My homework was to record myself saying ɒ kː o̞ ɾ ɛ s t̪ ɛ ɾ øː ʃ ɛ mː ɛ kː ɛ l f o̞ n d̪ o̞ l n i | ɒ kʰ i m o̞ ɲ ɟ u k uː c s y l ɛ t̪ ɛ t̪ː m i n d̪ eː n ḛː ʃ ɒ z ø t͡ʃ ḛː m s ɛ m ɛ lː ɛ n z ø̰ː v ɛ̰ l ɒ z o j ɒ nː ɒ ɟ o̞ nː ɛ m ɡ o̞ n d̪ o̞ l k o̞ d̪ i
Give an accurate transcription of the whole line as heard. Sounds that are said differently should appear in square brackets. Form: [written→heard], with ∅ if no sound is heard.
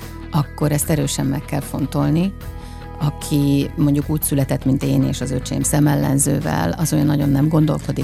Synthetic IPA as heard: ɒ kː o̞ ɾ ɛ s t̪ ɛ ɾ øː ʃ ɛ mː ɛ kː ɛ l f o̞ n [d̪→t̪] o̞ l n i | ɒ kʰ i m o̞ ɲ ɟ u k uː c s y l ɛ t̪ ɛ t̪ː m i n [d̪→t̪] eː n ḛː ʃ ɒ z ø t͡ʃ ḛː m s ɛ m ɛ lː ɛ n z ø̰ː v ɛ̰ l ɒ z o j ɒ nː ɒ ɟ o̞ nː ɛ m ɡ o̞ n d̪ o̞ l k o̞ d̪ i